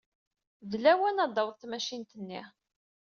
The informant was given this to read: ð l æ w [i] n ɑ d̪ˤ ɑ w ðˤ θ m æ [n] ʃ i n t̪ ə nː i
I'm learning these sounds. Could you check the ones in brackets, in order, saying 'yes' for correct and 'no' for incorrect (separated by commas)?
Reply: no, no